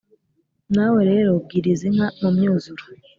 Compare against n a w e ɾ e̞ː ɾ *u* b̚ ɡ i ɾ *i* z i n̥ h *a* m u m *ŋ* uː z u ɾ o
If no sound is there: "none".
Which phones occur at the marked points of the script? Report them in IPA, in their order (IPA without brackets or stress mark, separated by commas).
o, i, a, ɲ